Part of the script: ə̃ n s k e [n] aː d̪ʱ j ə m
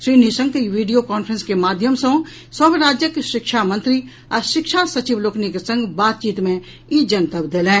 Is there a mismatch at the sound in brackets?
yes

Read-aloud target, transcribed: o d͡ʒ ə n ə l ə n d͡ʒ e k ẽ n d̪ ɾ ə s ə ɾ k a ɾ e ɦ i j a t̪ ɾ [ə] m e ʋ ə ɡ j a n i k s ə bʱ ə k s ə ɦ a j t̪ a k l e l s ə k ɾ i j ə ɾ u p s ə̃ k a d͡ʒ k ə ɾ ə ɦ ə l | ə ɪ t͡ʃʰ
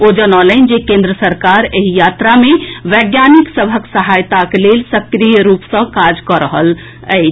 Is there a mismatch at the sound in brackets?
yes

